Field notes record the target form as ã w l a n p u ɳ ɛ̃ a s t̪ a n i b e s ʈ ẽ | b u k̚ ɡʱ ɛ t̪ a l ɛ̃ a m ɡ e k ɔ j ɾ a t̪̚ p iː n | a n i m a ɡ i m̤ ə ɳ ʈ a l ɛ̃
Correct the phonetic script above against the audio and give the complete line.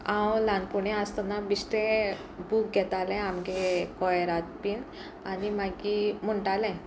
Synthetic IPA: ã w l a n p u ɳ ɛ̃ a s t̪ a n a b i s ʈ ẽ | b u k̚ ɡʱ ɛ t̪ a l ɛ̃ a m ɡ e k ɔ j ɾ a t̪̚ p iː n | a n i m a ɡ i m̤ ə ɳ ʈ a l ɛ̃

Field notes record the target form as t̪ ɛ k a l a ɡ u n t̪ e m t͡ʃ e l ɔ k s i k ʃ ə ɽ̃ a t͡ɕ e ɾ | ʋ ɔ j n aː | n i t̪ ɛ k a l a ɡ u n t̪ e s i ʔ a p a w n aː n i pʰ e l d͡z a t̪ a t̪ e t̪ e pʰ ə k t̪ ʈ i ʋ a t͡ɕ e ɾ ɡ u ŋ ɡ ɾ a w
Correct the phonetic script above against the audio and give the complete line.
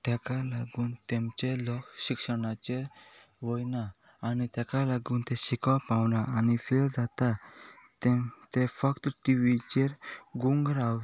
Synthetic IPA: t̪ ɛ k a l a ɡ u n t̪ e m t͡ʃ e l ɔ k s i k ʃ ə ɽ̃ a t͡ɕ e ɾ | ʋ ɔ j n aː | n i t̪ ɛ k a l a ɡ u n t̪ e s i k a p a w n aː n i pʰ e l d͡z a t̪ a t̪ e t̪ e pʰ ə k t̪ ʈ i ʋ i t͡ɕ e ɾ ɡ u ŋ ɡ ɾ a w

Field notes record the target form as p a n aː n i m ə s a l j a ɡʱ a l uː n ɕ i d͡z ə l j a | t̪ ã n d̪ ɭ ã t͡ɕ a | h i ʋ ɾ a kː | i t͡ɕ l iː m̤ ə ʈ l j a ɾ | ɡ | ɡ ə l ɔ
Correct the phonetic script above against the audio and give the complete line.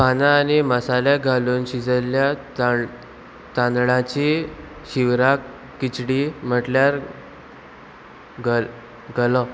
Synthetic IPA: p a n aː n i m ə s a l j a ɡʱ a l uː n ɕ i d͡z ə l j a | t̪ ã n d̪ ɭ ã t͡ɕ i | ɕ i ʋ ɾ a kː | i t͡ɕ ɽ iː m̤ ə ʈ l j a ɾ | ɡ | ɡ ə l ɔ

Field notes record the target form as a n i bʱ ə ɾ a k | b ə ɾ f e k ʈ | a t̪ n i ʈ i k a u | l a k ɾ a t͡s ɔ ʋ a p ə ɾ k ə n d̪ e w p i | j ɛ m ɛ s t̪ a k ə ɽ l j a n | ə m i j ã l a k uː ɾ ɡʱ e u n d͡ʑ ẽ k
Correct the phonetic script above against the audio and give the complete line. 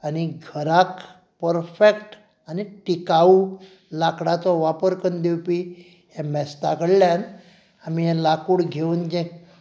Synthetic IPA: a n i ɡʱ ə ɾ a k | p ə ɾ f e k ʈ | a n i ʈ i k a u | l a k ɽ a t͡s ɔ ʋ a p ə ɾ k ə n d̪ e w p i | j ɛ m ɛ s t̪ a k ə ɽ l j a n | a m i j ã l a k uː ɽ ɡʱ e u n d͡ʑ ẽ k

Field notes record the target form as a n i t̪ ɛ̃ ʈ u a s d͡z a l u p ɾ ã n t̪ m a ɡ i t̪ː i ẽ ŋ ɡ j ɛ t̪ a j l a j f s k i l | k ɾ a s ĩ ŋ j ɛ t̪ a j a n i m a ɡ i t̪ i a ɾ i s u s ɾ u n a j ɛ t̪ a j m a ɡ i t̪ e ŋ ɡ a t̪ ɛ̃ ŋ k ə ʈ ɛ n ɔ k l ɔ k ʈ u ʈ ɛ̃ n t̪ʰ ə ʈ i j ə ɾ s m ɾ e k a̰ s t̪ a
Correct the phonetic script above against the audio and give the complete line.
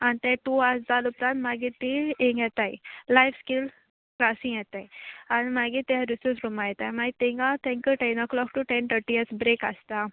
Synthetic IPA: a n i t̪ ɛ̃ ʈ u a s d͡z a l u p ɾ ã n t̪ m a ɡ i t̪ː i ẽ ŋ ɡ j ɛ t̪ a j l a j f s k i l | k ɾ a s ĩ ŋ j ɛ t̪ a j a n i m a ɡ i t̪ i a ɾ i s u s ɾ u m a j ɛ t̪ a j m a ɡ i t̪ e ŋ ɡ a t̪ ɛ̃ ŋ k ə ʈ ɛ n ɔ k l ɔ k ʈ u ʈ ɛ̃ n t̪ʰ ə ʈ i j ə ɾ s b ɾ e k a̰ s t̪ a

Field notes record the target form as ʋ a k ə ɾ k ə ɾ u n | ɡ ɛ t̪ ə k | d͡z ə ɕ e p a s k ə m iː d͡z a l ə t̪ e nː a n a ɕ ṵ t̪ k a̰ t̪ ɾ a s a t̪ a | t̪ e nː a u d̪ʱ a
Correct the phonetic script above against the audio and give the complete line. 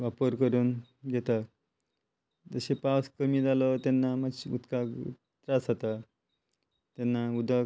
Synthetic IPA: ʋ a p ə ɾ k ə ɾ uː n | ɡ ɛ t̪ a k | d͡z ə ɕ e p a s k ə m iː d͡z a l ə t̪ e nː a m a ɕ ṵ t̪ k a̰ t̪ ɾ a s a t̪ a | t̪ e nː a u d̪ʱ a

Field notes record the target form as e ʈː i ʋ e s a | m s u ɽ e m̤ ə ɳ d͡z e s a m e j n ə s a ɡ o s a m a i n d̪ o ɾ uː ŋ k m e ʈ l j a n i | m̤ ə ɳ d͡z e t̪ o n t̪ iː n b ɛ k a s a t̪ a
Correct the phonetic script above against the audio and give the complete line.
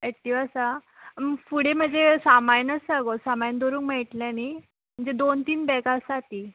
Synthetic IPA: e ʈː i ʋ a s a | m f u ɽ e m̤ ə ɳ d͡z e s a m a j n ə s a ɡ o s a m a j n d̪ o ɾ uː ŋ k m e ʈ l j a n i | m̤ ə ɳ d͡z e d̪ o n t̪ iː n b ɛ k a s a t̪ i

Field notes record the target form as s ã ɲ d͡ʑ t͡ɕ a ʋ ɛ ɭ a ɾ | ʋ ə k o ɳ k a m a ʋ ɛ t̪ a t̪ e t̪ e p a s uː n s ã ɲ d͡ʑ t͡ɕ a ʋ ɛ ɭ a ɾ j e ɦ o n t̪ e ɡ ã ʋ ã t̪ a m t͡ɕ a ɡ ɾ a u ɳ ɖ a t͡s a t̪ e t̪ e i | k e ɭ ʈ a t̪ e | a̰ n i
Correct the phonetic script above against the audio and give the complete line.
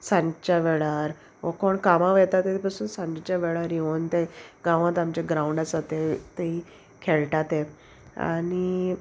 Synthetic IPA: s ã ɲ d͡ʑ t͡ɕ a ʋ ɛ ɭ a ɾ | ʋ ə k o ɳ k a m a ʋ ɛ t̪ a t̪ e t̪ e p a s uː n s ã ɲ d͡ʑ t͡ɕ a ʋ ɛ ɭ a ɾ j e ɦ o n t̪ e ɡ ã ʋ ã t̪ a m t͡ɕ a ɡ ɾ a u ɳ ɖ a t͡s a t̪ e t̪ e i | kʰ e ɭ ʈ a t̪ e | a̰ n i

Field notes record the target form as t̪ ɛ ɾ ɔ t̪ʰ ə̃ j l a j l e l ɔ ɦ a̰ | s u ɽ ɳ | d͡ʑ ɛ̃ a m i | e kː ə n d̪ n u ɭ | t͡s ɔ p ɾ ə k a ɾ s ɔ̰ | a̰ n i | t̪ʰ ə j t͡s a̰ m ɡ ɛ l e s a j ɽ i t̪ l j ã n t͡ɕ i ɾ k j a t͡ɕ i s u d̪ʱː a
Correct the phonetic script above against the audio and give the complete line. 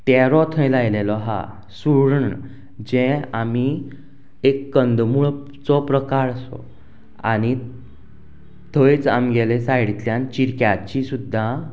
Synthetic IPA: t̪ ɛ ɾ ɔ t̪ʰ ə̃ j l a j l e l ɔ ɦ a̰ | s u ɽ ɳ | d͡ʑ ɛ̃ a m i | e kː ə n d̪ m u ɭ | t͡s ɔ p ɾ ə k a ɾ s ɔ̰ | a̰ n i | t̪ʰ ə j t͡s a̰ m ɡ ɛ l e s a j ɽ i t̪ l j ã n t͡ɕ i ɾ k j a t͡ɕ i s u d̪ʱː a

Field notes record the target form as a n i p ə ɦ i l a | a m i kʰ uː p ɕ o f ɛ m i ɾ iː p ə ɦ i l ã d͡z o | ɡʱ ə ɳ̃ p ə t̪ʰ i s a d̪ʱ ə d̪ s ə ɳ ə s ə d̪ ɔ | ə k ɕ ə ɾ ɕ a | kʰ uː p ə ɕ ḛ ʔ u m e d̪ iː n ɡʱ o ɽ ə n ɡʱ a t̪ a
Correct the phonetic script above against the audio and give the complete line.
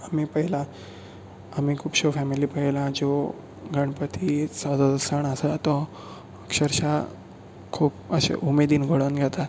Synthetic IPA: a m i p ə ɦ i l a | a m i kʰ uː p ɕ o f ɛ m i l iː p ə ɦ i l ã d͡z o | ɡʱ ə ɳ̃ p ə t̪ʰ i s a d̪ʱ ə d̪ s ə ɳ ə s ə t̪ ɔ | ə k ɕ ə ɾ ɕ a | kʰ uː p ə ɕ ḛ ʔ u m e d̪ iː n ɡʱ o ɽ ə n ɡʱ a t̪ a

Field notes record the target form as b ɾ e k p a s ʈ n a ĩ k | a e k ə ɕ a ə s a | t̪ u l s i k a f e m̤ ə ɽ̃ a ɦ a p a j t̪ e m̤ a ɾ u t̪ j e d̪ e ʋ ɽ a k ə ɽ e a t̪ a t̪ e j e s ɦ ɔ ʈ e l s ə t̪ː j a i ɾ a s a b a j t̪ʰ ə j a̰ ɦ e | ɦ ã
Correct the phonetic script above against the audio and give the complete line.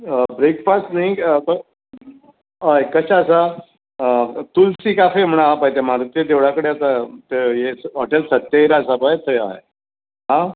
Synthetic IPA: b ɾ e k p a s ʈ n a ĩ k | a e k ə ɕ a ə s a | t̪ u l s i k a f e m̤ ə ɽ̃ a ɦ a p a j t̪ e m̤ a ɾ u t̪ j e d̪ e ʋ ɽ a k ə ɽ e a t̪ a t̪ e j e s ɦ ɔ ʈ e l s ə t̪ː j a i ɾ a s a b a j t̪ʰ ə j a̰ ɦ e | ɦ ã

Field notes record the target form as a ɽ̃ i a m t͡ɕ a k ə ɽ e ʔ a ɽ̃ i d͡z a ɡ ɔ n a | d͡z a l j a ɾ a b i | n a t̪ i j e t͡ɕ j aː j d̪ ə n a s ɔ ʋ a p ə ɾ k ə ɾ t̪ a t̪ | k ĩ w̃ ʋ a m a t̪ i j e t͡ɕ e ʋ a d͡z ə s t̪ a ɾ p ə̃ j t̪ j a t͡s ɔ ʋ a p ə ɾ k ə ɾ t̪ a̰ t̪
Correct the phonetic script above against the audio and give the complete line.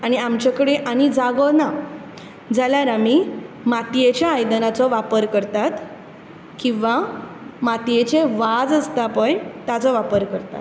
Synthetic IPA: a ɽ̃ i a m t͡ɕ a k ə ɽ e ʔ a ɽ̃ i d͡z a ɡ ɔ n a | d͡z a l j a ɾ a m i | m a t̪ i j e t͡ɕ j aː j d̪ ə n a t͡s ɔ ʋ a p ə ɾ k ə ɾ t̪ a t̪ | k ĩ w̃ ʋ a m a t̪ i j e t͡ɕ e ʋ a d͡z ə s t̪ a p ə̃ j t̪ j a t͡s ɔ ʋ a p ə ɾ k ə ɾ t̪ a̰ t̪

